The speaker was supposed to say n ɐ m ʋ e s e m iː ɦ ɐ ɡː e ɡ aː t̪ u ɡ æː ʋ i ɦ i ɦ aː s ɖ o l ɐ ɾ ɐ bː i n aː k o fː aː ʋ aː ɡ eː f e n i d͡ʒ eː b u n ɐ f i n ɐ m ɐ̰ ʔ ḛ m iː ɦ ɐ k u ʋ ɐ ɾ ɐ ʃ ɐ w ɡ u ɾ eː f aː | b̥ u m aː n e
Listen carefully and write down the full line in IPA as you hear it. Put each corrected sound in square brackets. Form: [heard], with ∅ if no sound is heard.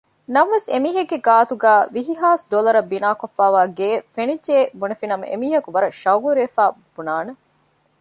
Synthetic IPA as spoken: n ɐ m ʋ e s e m iː ɦ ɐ ɡː e ɡ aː t̪ u ɡ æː ʋ i ɦ i ɦ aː s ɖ o l ɐ ɾ ɐ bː i n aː k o fː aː ʋ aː ɡ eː f e n i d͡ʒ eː b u n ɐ f i n ɐ m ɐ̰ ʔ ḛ m iː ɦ ɐ k u ʋ ɐ ɾ ɐ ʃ ɐ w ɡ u ɾ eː f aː | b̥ u [n] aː n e